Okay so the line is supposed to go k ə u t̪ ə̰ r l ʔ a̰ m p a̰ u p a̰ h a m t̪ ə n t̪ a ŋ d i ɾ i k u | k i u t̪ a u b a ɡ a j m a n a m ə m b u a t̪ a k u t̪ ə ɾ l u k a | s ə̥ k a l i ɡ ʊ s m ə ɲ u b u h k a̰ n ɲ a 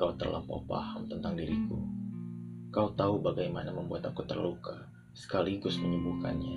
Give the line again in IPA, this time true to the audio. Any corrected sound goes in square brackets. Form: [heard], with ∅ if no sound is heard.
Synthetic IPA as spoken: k [a] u t̪ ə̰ r l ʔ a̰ m p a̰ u p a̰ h a m t̪ ə n t̪ a ŋ d i ɾ i k u | k [a] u t̪ a u b a ɡ a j m a n a m ə m b u a t̪ a k u t̪ ə [r] l u k a | s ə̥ k a l i ɡ ʊ s m ə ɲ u b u h k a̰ n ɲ a